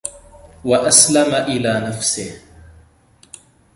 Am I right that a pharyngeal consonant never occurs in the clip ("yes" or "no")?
yes